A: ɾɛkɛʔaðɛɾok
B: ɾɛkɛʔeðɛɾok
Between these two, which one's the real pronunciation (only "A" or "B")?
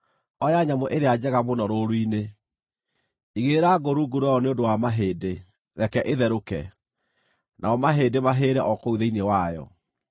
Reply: B